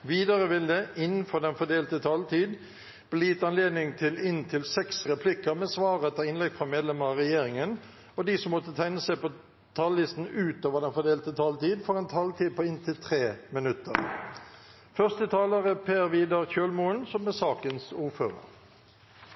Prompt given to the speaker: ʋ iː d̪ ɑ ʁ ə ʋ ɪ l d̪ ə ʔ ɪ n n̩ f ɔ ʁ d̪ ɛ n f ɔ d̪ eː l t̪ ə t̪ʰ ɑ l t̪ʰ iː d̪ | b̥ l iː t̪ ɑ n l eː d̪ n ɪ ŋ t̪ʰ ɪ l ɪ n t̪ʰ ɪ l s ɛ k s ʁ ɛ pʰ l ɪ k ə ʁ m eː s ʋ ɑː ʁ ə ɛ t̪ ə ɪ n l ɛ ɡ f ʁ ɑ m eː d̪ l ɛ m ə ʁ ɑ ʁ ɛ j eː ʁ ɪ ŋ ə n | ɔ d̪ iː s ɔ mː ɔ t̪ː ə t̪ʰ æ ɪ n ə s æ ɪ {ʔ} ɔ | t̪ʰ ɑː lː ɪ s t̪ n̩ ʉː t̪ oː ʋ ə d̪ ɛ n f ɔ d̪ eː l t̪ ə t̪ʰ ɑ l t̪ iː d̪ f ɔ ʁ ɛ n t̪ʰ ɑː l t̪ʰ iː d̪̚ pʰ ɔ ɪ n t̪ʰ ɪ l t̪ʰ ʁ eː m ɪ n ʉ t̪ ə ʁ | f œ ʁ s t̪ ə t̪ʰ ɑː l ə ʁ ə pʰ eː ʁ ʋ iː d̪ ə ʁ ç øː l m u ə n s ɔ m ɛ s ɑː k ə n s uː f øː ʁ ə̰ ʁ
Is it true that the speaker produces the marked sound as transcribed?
no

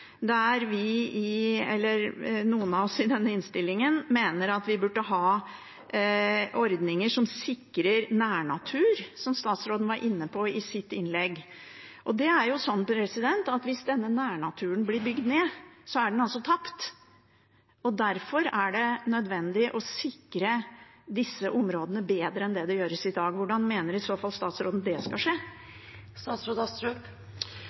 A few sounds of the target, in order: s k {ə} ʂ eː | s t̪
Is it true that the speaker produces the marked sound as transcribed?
no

